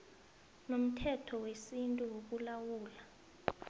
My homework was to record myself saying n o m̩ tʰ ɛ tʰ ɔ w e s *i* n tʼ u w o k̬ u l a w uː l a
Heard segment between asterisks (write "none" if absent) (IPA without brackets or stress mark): i